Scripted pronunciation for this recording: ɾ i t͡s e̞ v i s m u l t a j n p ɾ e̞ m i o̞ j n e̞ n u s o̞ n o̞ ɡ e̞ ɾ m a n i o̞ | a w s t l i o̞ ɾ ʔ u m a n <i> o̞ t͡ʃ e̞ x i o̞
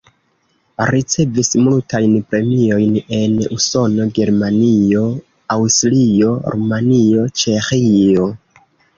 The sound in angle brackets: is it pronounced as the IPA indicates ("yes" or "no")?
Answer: yes